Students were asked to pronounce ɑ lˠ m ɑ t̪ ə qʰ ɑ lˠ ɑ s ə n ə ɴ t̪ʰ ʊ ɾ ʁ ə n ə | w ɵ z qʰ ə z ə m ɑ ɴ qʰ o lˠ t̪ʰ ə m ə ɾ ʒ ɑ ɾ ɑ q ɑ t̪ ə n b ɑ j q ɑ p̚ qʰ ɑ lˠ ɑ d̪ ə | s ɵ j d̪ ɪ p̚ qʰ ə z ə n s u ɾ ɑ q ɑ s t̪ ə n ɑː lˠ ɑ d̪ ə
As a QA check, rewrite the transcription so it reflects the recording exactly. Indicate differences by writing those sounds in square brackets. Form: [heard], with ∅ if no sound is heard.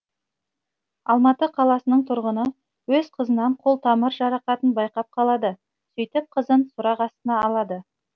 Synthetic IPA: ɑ lˠ m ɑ t̪ ə qʰ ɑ lˠ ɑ s ə n ə ɴ t̪ʰ ʊ ɾ ʁ ə n ə | w ɵ z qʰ ə z ə [n] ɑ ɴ qʰ o lˠ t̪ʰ [ɑ] m ə ɾ ʒ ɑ ɾ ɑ q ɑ t̪ ə n b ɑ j q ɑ p̚ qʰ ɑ lˠ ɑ d̪ ə | s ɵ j [t̪] ɪ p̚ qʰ ə z ə n s [ʊ] ɾ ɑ q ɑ s t̪ ə n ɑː lˠ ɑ d̪ ə